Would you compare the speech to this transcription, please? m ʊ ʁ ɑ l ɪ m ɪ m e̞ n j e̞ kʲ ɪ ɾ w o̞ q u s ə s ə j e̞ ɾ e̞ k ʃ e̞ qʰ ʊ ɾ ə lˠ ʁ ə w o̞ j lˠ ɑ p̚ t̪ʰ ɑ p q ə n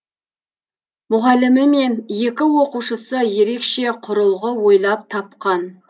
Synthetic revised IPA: m ʊ ʁ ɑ l ɪ m ɪ m e̞ n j e̞ kʲ ɪ w o̞ q u ʃ ə s ə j e̞ ɾ e̞ k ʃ e̞ qʰ ʊ ɾ ə lˠ ʁ ə w o̞ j lˠ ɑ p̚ t̪ʰ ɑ p q ɑ n